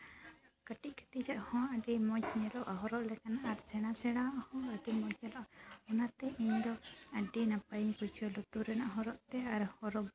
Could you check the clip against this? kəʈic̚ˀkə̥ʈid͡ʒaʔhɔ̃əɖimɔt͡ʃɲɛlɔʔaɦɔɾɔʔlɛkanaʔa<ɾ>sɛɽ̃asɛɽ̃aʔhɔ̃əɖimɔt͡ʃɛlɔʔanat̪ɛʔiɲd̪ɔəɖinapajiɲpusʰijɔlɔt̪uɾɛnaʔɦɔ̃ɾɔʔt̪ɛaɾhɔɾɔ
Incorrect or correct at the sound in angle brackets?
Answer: correct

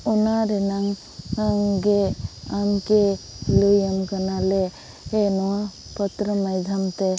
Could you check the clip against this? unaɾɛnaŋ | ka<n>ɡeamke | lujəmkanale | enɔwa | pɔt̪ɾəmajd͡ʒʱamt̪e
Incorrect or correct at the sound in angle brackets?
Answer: incorrect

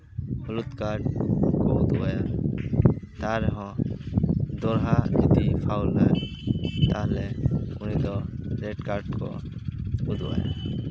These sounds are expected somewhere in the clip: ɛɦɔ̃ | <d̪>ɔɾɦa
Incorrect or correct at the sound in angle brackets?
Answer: correct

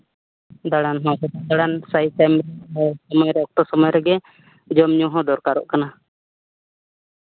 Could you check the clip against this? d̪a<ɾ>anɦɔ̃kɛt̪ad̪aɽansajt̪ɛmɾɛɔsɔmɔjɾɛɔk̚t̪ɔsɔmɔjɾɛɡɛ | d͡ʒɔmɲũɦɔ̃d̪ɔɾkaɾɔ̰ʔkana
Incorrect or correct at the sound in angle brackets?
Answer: incorrect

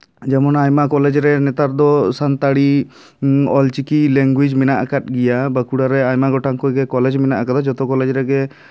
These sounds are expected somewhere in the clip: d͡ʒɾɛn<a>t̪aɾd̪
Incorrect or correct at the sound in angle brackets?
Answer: incorrect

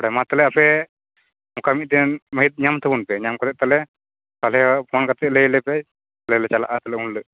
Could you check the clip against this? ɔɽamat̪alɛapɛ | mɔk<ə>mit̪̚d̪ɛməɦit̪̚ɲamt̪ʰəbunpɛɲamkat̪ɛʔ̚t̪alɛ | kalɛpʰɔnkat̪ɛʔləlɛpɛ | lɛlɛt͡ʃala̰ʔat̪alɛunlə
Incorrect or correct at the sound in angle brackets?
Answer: incorrect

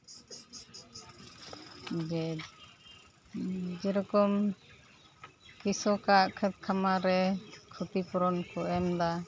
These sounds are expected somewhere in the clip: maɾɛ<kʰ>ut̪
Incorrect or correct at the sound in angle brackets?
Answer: correct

